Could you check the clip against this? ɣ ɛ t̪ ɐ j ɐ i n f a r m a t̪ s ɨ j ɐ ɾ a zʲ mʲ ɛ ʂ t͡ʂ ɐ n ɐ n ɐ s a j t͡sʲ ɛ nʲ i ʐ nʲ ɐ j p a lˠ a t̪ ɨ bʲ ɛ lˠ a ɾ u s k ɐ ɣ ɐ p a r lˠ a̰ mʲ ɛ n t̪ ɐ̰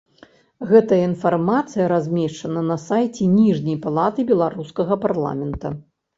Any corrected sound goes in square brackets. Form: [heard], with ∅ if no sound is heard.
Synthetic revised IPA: ɣ ɛ t̪ ɐ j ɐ i n f a r m a t̪ s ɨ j ɐ ɾ a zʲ mʲ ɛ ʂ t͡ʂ ɐ n ɐ n ɐ s a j t͡sʲ ɛ nʲ i ʐ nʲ ɐ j p a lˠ a t̪ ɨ bʲ ɛ lˠ a ɾ u s k ɐ ɣ ɐ p a r lˠ a̰ mʲ ɛ n t̪ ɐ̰